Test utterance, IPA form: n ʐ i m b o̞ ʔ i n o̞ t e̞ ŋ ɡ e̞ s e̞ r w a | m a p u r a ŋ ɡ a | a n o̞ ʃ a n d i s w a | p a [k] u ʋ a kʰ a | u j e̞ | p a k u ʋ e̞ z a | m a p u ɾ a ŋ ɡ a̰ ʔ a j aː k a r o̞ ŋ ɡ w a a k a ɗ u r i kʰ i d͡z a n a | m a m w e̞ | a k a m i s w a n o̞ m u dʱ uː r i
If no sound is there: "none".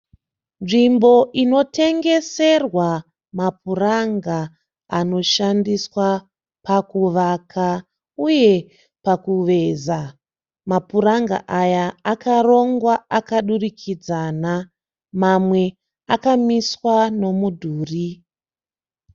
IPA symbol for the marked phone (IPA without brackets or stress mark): k